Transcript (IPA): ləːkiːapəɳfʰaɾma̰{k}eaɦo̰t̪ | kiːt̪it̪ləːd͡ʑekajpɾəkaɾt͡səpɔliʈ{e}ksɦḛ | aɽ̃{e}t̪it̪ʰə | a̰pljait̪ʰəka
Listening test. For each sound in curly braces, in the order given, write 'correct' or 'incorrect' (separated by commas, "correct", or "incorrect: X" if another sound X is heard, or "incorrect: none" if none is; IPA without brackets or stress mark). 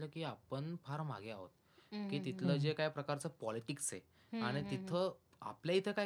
incorrect: ɡ, incorrect: i, incorrect: i